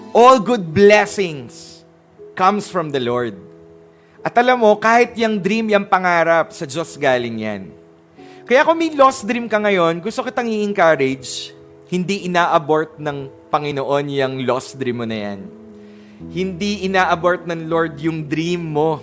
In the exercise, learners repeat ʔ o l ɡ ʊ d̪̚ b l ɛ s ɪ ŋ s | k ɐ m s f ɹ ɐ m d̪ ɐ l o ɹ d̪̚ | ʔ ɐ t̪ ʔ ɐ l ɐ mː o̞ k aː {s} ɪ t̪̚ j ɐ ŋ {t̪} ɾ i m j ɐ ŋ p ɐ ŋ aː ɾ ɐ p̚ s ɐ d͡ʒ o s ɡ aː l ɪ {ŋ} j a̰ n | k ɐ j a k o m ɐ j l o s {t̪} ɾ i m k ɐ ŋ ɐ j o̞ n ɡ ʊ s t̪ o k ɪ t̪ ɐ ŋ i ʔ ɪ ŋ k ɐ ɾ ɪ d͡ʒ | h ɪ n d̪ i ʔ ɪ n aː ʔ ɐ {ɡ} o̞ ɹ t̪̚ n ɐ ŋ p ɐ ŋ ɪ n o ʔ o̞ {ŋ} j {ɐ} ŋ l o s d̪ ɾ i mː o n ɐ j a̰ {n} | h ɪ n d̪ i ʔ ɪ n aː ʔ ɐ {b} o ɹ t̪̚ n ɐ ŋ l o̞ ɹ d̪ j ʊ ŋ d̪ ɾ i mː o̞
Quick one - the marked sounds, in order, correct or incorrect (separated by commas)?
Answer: incorrect, incorrect, correct, incorrect, incorrect, incorrect, correct, correct, correct